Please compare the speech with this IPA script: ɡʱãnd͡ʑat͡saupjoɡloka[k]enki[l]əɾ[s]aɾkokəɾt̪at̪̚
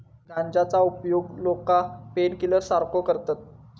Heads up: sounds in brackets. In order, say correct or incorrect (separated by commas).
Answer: incorrect, correct, correct